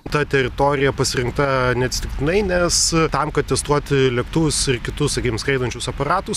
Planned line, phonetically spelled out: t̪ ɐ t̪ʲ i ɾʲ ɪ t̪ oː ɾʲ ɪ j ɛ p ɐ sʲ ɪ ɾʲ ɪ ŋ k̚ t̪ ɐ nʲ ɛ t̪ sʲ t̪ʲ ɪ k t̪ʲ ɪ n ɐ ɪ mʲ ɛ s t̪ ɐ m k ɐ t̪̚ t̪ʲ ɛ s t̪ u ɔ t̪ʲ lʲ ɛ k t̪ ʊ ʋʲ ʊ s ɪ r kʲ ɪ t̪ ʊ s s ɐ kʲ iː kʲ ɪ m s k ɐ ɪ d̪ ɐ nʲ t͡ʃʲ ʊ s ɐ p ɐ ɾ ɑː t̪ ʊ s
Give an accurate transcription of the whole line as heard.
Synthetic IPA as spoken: t̪ ɐ t̪ʲ ɛ ɾʲ ɪ t̪ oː ɾʲ ɪ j ɛ p ɐ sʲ ɪ ɾʲ ɪ ŋ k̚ t̪ ɐ nʲ ɛ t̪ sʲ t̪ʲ ɪ k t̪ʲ ɪ n ɐ ɪ nʲ ɛ s t̪ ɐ m k ɐ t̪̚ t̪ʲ ɛ s t̪ u ɔ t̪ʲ lʲ ɛ k t̪ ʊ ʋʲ ʊ s ɪ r kʲ ɪ t̪ ʊ s s ɐ kʲ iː kʲ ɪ m s k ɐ ɪ d̪ ɐ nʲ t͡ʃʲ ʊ s ɐ p ɐ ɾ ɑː t̪ ʊ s